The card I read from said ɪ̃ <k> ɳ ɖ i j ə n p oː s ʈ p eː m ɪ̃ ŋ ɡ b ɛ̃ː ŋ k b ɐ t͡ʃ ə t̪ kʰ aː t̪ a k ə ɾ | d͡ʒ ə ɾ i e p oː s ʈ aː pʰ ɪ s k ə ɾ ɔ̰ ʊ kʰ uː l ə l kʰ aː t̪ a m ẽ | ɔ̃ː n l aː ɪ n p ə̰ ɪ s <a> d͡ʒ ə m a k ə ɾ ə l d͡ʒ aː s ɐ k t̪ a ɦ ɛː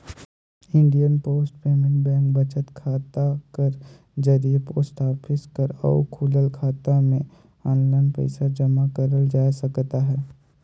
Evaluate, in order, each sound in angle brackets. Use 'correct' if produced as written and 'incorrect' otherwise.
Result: incorrect: none, correct

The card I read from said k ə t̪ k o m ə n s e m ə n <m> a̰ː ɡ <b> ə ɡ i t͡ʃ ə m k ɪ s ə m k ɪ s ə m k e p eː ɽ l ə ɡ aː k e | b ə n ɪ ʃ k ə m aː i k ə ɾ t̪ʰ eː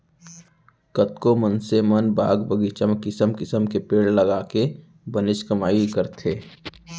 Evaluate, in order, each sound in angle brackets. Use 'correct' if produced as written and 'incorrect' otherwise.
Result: incorrect: b, correct

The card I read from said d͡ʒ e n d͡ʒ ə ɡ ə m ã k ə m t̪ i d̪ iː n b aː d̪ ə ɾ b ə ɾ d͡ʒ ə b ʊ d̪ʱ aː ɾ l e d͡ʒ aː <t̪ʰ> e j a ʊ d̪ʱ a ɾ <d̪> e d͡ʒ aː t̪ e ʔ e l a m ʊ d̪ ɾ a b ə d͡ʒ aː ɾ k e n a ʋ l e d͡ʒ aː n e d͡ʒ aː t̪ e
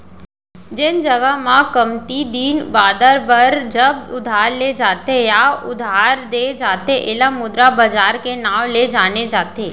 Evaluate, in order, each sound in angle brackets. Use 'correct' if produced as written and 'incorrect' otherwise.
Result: incorrect: t̪, correct

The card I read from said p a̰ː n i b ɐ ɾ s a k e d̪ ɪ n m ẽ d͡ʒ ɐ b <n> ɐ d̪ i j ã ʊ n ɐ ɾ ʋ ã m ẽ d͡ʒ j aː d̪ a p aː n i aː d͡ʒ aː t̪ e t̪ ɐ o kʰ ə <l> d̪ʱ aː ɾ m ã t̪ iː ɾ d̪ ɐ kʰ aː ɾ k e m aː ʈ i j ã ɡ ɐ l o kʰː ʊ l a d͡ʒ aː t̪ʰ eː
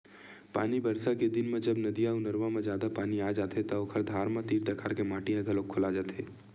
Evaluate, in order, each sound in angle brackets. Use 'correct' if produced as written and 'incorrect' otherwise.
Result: correct, incorrect: ɾ

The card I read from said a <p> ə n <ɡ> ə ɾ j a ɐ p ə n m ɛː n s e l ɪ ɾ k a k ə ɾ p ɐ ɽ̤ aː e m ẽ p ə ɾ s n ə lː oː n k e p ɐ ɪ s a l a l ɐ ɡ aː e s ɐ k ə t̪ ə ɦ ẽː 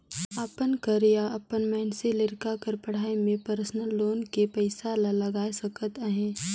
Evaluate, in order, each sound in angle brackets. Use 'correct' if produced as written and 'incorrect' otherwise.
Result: correct, incorrect: k

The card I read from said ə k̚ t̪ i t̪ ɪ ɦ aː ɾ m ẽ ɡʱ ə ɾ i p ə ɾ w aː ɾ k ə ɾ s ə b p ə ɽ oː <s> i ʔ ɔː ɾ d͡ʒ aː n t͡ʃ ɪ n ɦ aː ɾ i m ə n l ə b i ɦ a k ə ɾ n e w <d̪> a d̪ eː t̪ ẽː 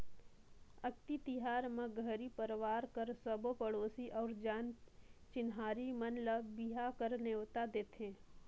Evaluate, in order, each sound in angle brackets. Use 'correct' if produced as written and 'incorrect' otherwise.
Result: correct, incorrect: t̪

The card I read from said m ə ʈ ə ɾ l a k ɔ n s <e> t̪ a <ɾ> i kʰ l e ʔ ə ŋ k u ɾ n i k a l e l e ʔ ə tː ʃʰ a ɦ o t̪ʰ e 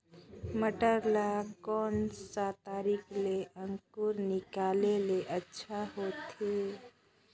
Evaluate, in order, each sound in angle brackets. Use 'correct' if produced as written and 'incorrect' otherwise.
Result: incorrect: a, correct

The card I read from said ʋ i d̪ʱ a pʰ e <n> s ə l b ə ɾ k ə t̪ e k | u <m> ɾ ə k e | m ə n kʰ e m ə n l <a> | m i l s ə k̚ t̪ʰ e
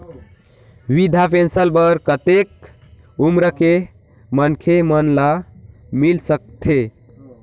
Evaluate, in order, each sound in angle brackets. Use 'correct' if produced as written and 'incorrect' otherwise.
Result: correct, correct, correct

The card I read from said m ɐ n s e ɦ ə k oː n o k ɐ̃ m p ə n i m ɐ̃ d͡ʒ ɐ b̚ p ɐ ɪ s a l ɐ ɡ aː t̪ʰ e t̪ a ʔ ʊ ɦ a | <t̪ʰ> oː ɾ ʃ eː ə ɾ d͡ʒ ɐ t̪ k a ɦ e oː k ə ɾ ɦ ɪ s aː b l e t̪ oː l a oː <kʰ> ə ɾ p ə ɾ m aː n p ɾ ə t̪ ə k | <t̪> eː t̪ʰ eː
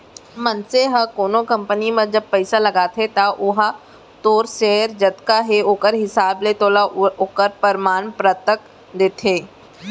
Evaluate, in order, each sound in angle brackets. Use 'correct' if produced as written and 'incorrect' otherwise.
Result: incorrect: t̪, incorrect: k, incorrect: d̪

